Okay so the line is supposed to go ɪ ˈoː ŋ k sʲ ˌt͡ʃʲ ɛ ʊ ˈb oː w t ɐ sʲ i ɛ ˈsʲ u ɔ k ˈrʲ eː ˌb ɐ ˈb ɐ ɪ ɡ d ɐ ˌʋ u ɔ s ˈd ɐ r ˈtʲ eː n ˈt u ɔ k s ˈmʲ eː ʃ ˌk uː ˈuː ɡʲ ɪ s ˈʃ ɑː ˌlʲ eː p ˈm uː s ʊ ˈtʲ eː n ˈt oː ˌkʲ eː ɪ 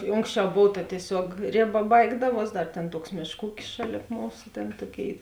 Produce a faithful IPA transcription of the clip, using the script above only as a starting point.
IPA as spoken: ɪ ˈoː ŋ k sʲ ˌt͡ʃʲ ɛ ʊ ˈb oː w t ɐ tʲ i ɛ ˈsʲ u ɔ k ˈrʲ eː ˌb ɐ ˈb ɐ ɪ ɡ d ɐ ˌʋ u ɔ s ˈd ɐ r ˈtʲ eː n ˈt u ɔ k s ˈmʲ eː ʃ ˌk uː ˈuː kʲ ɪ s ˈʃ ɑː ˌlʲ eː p ˈm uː s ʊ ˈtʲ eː n ˈt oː ˌkʲ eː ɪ